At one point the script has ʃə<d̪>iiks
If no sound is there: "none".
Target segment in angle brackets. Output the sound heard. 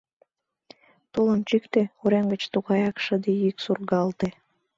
d̪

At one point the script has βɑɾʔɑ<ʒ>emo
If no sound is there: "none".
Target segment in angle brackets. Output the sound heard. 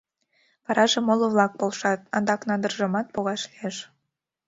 ʒ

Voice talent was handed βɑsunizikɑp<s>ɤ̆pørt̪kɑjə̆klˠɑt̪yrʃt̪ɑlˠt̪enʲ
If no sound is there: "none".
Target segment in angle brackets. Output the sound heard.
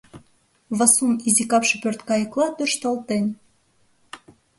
ʃ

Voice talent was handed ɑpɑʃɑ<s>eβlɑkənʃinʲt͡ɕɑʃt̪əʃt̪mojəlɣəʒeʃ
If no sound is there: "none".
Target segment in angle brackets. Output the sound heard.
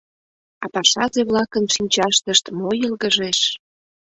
z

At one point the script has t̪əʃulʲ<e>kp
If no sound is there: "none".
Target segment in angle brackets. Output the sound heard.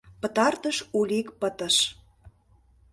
i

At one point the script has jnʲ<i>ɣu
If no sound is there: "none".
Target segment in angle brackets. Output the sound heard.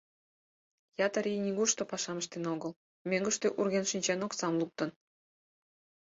i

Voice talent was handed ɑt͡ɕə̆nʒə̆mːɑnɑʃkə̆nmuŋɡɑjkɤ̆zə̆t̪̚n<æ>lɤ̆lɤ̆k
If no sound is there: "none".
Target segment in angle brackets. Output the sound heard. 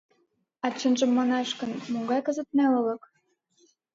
æ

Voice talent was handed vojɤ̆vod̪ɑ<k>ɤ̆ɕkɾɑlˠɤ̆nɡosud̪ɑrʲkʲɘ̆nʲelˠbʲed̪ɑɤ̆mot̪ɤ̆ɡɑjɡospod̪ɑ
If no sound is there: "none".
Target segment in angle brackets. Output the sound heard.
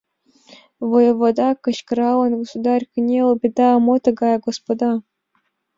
k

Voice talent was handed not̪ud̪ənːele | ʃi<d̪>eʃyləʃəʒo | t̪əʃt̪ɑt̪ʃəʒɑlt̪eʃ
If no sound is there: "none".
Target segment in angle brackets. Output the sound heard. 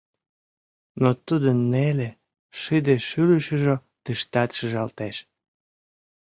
d̪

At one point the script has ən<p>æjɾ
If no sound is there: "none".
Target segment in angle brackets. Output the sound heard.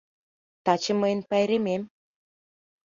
p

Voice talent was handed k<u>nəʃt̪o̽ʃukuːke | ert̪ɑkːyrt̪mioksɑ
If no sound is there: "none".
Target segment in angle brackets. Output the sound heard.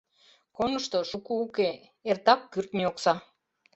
o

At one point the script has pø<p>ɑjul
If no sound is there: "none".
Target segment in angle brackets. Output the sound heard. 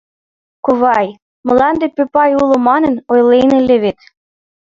p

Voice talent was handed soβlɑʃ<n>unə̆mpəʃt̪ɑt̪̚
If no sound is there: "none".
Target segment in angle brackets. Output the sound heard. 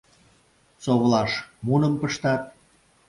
m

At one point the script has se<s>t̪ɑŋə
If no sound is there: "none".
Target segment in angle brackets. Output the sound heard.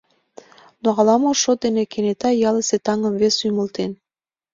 none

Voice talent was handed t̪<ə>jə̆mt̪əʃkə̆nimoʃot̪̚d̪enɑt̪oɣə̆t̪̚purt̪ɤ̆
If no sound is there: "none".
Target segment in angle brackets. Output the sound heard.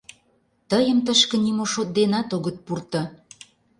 ə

